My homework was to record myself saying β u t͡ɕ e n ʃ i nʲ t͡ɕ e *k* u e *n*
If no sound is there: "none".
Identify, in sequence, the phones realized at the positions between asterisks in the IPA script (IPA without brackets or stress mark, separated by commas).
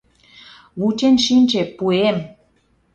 p, m